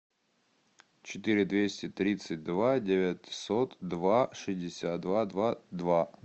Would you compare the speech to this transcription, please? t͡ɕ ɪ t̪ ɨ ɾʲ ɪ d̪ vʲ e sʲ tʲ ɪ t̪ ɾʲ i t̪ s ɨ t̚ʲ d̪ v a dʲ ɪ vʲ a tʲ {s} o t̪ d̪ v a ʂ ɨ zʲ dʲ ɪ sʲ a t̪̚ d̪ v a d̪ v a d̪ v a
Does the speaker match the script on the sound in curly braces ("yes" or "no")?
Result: yes